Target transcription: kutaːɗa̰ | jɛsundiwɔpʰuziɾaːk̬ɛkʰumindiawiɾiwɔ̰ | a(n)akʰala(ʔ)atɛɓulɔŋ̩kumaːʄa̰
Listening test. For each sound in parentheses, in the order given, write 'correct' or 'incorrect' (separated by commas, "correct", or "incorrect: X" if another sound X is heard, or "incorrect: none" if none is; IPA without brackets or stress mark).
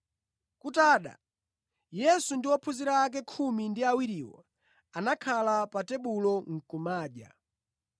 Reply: correct, incorrect: p